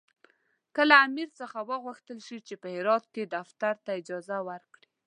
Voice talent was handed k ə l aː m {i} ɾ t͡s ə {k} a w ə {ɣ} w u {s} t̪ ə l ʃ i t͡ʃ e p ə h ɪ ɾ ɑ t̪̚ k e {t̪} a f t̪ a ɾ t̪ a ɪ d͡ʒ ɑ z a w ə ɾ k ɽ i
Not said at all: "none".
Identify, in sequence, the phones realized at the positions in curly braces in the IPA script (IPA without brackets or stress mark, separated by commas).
i, x, ɣ, x, d̪